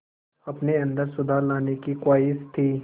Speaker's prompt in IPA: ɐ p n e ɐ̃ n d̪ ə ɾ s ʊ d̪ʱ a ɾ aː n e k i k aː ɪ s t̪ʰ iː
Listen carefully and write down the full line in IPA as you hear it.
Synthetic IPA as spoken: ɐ p n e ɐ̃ n d̪ ə ɾ s ʊ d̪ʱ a l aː n e k i k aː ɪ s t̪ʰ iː